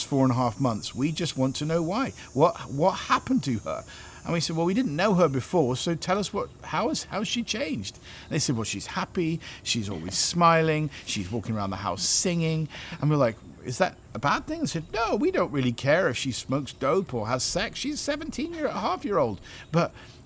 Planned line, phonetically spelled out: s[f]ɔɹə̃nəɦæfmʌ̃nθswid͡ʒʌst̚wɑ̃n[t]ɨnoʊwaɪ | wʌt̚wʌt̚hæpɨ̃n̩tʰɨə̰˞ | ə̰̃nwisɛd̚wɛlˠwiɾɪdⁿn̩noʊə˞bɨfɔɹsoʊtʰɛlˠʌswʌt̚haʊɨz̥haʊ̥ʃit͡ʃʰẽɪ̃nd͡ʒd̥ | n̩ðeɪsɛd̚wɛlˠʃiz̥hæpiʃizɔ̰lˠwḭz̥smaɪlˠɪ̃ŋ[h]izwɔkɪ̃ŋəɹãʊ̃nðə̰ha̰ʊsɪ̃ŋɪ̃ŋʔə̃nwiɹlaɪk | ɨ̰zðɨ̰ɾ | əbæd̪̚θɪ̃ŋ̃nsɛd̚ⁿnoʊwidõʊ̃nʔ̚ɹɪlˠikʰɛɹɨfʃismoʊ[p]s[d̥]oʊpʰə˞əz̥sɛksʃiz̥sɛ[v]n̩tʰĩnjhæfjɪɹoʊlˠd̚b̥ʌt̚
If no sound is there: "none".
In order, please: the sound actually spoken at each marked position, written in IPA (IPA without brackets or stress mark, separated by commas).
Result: f, tʰ, ʃ, k, d̥, v